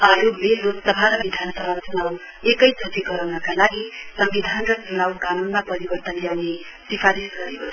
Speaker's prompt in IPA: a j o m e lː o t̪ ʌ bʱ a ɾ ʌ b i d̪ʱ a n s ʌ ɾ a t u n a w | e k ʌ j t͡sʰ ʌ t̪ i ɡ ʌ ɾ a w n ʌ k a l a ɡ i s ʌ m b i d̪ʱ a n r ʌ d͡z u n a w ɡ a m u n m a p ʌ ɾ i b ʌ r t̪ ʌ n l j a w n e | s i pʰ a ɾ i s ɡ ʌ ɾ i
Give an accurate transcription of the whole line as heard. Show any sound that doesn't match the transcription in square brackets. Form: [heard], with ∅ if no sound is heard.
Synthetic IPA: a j o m e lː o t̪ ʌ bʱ a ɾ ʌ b i d̪ʱ a n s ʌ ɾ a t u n a w | e k ʌ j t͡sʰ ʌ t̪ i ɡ ʌ ɾ a w n ʌ k a l a ɡ i s ʌ m b i d̪ʱ a n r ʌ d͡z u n a w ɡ a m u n m a p ʌ ɾ i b ʌ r t̪ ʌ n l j a w n e | s i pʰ a ɾ i s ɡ ʌ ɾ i